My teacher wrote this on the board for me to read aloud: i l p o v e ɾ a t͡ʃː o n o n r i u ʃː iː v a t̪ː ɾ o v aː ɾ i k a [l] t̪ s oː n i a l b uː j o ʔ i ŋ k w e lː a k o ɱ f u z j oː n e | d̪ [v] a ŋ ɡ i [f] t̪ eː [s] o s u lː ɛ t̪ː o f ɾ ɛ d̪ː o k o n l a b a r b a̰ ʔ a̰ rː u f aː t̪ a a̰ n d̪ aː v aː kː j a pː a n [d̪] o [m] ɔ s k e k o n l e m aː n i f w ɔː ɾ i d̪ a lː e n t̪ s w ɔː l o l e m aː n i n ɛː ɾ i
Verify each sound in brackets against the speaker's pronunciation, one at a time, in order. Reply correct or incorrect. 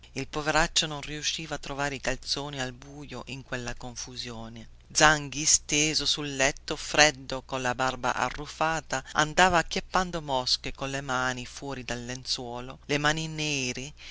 correct, incorrect: z, incorrect: s, incorrect: z, correct, correct

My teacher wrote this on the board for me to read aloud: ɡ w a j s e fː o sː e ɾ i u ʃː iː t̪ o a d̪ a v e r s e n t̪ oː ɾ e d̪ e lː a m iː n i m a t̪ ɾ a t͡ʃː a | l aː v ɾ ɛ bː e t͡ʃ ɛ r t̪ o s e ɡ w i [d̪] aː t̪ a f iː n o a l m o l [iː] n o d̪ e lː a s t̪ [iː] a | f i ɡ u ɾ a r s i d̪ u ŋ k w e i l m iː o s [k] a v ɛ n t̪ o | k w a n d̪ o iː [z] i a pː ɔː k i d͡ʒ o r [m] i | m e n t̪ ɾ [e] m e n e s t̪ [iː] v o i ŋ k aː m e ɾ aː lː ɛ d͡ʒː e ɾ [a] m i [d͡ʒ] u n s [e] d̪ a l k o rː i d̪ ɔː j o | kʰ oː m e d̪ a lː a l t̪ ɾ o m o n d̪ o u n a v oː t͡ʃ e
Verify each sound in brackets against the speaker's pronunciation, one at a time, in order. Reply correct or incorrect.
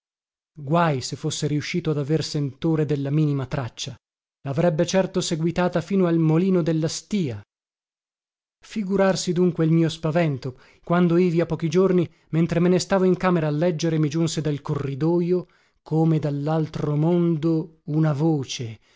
incorrect: t̪, correct, correct, incorrect: p, incorrect: v, incorrect: n, correct, incorrect: aː, incorrect: e, correct, correct

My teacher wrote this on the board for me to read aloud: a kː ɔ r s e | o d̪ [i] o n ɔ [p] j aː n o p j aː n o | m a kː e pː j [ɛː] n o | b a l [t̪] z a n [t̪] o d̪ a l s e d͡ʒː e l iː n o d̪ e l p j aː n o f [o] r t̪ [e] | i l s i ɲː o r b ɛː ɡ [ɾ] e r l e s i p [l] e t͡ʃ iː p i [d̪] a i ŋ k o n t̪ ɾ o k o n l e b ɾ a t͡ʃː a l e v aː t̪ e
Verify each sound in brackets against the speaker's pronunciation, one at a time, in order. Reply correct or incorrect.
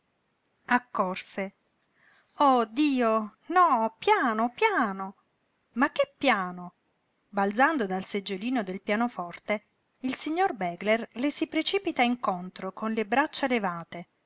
incorrect: iː, correct, incorrect: aː, incorrect: d̪, incorrect: d̪, incorrect: ɔ, correct, incorrect: l, incorrect: ɾ, incorrect: t̪

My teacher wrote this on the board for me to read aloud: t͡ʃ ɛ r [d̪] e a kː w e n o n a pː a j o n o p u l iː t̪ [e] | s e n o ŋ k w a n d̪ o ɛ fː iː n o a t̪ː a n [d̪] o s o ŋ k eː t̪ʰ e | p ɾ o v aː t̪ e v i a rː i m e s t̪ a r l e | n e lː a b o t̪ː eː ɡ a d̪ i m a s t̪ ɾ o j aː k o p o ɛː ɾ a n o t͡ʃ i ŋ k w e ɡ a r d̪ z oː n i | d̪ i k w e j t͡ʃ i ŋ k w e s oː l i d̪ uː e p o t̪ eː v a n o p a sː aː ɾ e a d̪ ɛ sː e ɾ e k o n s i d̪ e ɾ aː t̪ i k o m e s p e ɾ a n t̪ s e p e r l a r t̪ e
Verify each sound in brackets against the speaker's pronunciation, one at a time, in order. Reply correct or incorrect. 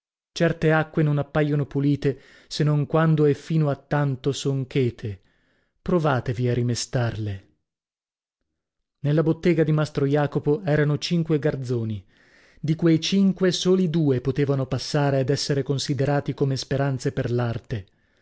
incorrect: t̪, correct, incorrect: t̪

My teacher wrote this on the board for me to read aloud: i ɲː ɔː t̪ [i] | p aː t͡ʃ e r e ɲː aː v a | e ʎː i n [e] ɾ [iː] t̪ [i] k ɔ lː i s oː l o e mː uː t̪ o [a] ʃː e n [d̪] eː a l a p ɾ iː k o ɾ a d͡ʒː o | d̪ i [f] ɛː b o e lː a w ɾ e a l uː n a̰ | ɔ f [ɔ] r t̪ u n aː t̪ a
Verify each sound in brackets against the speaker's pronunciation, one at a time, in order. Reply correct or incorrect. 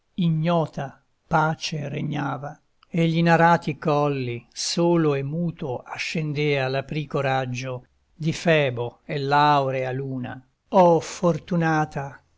incorrect: a, incorrect: a, incorrect: aː, correct, correct, correct, correct, incorrect: o

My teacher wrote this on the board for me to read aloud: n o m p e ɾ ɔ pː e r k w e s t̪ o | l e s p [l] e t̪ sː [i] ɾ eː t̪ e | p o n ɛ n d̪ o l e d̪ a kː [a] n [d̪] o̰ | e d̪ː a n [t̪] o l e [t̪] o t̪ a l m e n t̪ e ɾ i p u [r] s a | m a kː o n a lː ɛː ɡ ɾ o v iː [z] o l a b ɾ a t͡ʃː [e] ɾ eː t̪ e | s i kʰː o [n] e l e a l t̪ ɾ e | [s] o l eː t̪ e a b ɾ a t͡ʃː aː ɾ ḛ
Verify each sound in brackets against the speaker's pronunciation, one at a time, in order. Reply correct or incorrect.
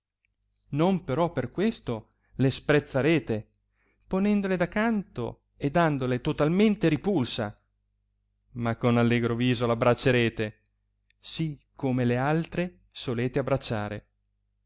incorrect: ɾ, incorrect: a, correct, incorrect: t̪, incorrect: d̪, correct, incorrect: l, correct, correct, incorrect: m, correct

